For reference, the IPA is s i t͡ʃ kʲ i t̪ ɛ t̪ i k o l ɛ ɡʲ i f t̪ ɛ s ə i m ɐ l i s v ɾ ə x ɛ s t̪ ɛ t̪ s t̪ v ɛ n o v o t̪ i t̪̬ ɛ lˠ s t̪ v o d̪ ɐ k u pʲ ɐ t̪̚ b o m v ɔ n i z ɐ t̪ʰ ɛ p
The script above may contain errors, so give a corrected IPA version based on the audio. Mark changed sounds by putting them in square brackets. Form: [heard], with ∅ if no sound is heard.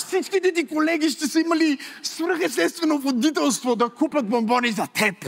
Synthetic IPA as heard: s i t͡ʃ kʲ i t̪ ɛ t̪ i k o l ɛ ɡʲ i [ʃ] t̪ ɛ s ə i m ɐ l i s v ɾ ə x ɛ s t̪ ɛ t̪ s t̪ v ɛ n o v o [d̪] i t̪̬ ɛ lˠ s t̪ v o d̪ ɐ k u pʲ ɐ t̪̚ b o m [b] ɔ n i z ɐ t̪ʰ ɛ p